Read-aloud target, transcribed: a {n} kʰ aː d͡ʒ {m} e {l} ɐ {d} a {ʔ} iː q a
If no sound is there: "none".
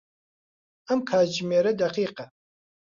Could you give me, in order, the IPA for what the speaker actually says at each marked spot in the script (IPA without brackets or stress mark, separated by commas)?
m, m, ɾ, d, q